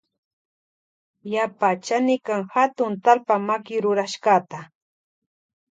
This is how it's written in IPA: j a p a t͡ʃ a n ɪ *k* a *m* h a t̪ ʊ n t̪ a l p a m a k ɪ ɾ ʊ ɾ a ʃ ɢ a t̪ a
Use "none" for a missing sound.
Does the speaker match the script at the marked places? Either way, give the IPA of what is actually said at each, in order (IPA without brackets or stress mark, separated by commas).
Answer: k, ŋ